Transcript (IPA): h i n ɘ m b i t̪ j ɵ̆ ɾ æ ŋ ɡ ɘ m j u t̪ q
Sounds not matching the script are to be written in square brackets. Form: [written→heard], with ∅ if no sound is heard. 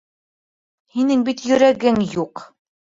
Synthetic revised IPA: h i n ɘ [m→ŋ] b i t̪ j ɵ̆ ɾ æ [ŋ→∅] ɡ ɘ [m→ŋ] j u [t̪→∅] q